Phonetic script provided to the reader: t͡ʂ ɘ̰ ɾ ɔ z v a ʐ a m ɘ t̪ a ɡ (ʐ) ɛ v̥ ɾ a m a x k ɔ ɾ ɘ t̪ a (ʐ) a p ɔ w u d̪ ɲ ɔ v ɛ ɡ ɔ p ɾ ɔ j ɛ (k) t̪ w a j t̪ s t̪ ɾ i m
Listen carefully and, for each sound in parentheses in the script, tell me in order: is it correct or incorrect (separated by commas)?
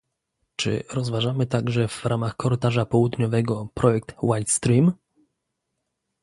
correct, correct, correct